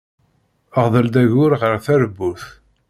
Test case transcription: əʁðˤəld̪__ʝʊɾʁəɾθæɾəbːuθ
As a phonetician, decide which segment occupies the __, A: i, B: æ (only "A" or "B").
B